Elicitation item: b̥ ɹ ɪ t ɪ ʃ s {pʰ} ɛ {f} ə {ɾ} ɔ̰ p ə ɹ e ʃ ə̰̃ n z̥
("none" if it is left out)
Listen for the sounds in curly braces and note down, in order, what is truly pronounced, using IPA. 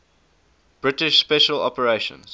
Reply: p, ʃ, l

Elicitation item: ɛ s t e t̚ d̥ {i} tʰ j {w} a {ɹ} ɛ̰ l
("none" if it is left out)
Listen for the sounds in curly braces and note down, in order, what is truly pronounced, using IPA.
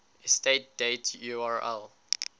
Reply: e, u, ɹ

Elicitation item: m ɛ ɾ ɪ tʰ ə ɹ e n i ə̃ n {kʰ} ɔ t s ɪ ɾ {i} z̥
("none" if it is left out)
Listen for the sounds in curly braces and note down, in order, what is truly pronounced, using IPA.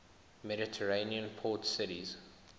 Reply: pʰ, i

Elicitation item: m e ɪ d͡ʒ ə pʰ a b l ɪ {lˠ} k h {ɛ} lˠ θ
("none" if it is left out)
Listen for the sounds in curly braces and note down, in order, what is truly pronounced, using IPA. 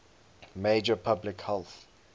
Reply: none, ɛ

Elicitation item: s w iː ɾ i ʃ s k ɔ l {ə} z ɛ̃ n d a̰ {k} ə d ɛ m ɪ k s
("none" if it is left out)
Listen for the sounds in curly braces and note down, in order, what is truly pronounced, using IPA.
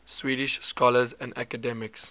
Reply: ə, k

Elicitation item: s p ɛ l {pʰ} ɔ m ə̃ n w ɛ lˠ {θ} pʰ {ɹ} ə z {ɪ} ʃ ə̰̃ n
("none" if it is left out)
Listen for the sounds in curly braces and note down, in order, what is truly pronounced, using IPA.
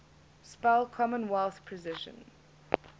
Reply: kʰ, θ, ɹ, ɪ

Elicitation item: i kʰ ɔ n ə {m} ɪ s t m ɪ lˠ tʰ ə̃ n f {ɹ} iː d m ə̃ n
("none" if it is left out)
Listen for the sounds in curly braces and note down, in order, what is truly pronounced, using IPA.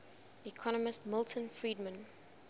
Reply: m, ɹ

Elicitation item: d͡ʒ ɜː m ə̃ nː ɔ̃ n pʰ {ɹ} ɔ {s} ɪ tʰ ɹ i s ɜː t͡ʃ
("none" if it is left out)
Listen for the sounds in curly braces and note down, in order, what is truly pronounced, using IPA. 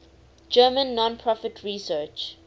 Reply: ɹ, f

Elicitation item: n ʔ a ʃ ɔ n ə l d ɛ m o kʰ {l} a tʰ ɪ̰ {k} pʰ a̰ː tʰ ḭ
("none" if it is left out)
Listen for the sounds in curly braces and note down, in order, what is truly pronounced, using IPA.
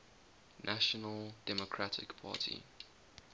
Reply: ɹ, k

